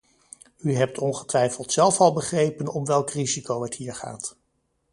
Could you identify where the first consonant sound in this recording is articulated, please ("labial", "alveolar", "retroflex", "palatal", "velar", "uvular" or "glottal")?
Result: glottal